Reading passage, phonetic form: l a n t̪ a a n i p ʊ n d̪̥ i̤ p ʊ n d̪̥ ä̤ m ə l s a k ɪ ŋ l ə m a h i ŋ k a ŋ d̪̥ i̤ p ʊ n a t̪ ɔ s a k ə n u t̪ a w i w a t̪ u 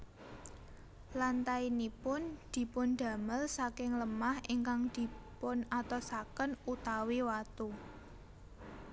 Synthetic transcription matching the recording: l a n t̪ a i n i p ʊ n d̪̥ i̤ p ʊ n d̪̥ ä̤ m ə l s a k ɪ ŋ l ə m a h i ŋ k a ŋ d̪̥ i̤ p ʊ n a t̪ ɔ s a k ə n u t̪ a w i w a t̪ u

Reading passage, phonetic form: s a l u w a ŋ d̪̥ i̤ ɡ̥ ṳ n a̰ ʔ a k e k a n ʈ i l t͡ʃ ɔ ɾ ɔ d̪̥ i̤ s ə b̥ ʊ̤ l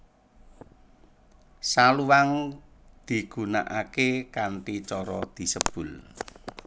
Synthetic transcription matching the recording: s a l u w a ŋ d̪̥ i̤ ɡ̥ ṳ n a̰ ʔ a k e k a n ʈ i t͡ʃ ɔ ɾ ɔ d̪̥ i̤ s ə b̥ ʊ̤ l

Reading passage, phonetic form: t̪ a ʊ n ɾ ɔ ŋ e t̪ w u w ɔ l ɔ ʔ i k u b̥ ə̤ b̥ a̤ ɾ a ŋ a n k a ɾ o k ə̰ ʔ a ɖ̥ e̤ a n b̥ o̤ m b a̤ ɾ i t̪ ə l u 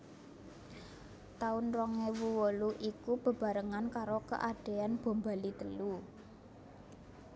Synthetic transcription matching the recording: t̪ a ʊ n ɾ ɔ ŋ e w u w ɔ l u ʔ i k u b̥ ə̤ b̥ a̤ ɾ ə ŋ a n k a ɾ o k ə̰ ʔ a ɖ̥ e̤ a n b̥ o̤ m b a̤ l i t̪ ə l u

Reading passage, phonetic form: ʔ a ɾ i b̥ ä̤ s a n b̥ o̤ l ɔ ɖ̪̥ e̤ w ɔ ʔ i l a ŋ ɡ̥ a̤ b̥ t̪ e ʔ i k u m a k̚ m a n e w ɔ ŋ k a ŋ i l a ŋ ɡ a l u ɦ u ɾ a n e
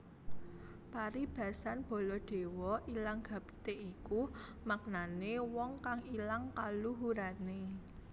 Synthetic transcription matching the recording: p a ɾ i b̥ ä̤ s a n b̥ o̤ l ɔ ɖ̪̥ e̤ w ɔ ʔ i l a ŋ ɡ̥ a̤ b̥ t̪ e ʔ i k u m a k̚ n a n e w ɔ ŋ k a ŋ i l a ŋ k a l u ɦ u ɾ a n e

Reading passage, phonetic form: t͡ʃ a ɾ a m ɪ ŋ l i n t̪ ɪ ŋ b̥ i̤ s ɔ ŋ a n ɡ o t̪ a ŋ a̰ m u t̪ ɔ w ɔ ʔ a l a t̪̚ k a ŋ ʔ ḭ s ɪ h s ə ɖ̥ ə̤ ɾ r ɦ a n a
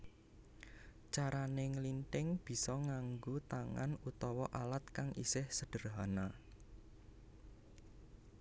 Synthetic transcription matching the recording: t͡ʃ a ɾ a n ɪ ŋ l i n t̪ ɪ ŋ b̥ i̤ s ɔ ŋ a ŋ ɡ o t̪ a ŋ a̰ n u t̪ ɔ w ɔ ʔ a l a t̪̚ k a ŋ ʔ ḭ s ɪ h s ə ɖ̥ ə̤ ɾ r ɦ a n a

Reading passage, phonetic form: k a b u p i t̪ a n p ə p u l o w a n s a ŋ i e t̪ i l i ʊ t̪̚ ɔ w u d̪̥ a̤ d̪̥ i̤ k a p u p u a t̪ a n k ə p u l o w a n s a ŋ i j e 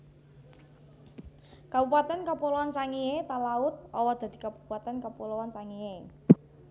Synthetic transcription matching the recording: k a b u p a t̪ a n k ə p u l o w a n s a ŋ i e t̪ a l a ʊ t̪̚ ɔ w ɔ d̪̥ a̤ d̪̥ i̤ k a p u p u a t̪ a n k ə p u l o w a n s a ŋ i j e

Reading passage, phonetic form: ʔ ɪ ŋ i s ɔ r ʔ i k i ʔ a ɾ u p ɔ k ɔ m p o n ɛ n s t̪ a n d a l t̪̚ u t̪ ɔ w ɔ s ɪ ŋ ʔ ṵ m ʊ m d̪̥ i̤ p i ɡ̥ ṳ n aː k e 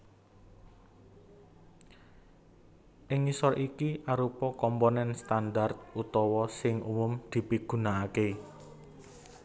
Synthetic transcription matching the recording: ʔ ɪ ŋ i s ɔ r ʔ i k i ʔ a ɾ u p ɔ k ɔ m p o n ɛ n s t̪ a n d a r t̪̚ u t̪ ɔ w ɔ s ɪ ŋ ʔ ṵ m ʊ m d̪̥ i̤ p i ɡ̥ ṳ n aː k e

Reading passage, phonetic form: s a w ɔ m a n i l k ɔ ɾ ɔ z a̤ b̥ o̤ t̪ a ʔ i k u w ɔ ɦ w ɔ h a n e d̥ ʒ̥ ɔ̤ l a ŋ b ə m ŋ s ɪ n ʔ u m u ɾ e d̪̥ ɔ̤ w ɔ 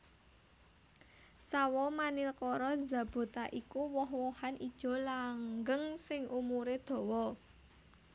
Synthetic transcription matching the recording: s a w ɔ m a n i l k ɔ ɾ ɔ z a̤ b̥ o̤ t̪ a ʔ i k u w ɔ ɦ w ɔ h a n i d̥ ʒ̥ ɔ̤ l a ŋ ɡ ə ŋ s ɪ ŋ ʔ u m u ɾ e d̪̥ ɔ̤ w ɔ

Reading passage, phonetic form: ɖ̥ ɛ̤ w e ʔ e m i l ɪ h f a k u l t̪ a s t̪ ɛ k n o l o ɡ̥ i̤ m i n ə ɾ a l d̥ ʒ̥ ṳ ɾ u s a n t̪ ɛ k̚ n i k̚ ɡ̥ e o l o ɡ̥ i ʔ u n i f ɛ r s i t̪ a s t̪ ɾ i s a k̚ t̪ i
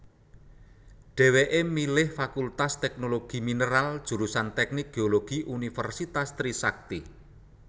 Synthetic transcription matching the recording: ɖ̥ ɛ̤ w e ʔ e m i l ɪ h f a k u l t̪ a s t̪ ɛ k n o l o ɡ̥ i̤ m i n ə ɾ a l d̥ ʒ̥ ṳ ɾ u s a n t̪ ɛ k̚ n i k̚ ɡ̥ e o l o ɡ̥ i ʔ u n i f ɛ r s i t̪ a s t̪ ɾ i s a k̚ t̪ i

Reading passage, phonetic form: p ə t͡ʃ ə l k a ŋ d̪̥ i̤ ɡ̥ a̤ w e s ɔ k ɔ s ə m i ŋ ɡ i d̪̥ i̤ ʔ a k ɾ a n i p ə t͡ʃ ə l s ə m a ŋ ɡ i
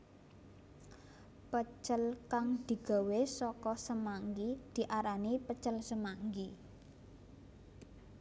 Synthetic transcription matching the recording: p ə t͡ʃ ə l k a ŋ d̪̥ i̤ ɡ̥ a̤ w e s ɔ k ɔ s ə m a ŋ ɡ i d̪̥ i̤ ʔ a ɾ a n i p ə t͡ʃ ə l s ə m a ŋ ɡ i

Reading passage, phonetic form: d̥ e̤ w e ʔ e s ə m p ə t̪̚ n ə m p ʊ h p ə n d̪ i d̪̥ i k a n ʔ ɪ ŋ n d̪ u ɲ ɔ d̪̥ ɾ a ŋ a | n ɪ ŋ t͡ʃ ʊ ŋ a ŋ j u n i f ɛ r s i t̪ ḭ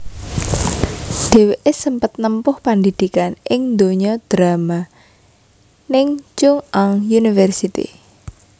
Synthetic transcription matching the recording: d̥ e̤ w e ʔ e s ə m p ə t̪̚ n ə m p ʊ h p a n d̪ i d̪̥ i k a n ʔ ɪ ŋ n d̪ o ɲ ɔ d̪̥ ɾ a m a | n ɪ ŋ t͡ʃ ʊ ŋ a ŋ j u n i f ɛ r s i t̪ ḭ

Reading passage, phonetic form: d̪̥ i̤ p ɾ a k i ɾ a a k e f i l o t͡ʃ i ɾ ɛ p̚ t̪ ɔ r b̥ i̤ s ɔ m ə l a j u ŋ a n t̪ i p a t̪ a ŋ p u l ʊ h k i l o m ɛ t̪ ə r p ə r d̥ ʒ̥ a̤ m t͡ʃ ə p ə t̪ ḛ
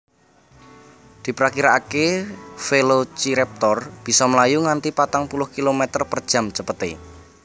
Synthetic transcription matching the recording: d̪̥ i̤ p ɾ a k i ɾ a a k e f e l o t͡ʃ i ɾ ɛ p̚ t̪ ɔ r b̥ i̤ s ɔ m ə l a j u ŋ a n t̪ i p a t̪ a ŋ p u l ʊ h k i l o m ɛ t̪ ə r p ə r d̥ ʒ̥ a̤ m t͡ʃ ə p ə t̪ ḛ

